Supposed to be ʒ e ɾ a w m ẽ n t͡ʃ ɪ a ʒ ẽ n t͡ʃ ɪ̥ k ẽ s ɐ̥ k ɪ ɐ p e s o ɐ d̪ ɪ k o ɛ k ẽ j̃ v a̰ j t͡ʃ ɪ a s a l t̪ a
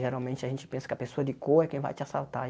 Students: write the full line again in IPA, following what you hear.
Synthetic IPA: ʒ e ɾ a w m ẽ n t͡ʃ ɪ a ʒ ẽ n t͡ʃ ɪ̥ p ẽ s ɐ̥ k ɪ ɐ p e s o ɐ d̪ ɪ k o ɛ k ẽ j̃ v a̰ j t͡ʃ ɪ a s a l t̪ a